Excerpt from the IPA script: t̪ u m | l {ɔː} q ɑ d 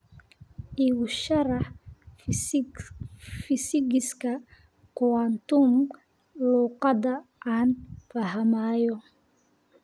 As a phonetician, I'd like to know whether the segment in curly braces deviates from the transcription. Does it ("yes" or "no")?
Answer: yes